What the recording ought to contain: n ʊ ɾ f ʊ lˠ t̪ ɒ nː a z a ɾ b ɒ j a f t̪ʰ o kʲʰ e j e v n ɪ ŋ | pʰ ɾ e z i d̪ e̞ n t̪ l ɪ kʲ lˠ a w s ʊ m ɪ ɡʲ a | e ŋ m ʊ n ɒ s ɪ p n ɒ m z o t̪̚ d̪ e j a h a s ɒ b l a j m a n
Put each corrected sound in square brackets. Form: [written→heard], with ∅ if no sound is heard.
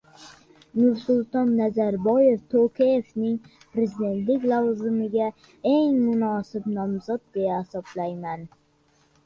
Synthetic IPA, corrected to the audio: n ʊ ɾ [f→s] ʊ lˠ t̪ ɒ nː a z a ɾ b ɒ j [a→e] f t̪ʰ o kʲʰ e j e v n ɪ ŋ | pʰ ɾ e z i d̪ e̞ n t̪ l ɪ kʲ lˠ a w [s→z] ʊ m ɪ ɡʲ a | e ŋ m ʊ n ɒ s ɪ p n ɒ m z [o→ɒ] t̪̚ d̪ e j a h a s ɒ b l a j m a n